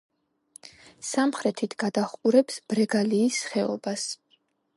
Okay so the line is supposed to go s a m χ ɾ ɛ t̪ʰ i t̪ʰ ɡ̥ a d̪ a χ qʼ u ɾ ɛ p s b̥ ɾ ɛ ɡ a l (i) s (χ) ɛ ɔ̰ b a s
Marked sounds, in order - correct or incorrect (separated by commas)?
incorrect, correct